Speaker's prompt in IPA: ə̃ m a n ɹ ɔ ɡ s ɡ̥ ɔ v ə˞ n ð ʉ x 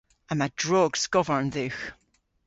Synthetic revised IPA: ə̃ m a d ɹ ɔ ɡ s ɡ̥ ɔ v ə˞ n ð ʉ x

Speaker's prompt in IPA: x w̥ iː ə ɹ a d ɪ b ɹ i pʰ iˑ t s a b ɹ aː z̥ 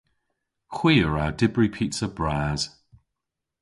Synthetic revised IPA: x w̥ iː ə ɹ a d ɪ b ɹ i pʰ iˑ t s ə b ɹ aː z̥

